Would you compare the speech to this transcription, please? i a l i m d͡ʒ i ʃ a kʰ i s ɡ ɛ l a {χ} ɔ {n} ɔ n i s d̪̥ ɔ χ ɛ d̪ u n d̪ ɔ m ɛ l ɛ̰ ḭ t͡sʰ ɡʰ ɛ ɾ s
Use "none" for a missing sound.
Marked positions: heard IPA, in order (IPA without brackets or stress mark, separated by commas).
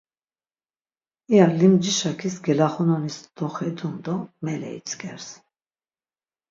χ, n